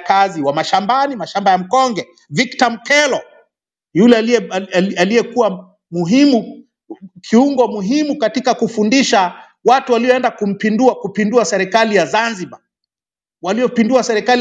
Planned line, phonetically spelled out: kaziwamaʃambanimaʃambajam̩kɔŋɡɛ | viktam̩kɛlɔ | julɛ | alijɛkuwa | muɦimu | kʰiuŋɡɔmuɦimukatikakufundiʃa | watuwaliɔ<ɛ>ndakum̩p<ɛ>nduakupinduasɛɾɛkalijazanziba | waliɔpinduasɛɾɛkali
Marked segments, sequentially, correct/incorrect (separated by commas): correct, incorrect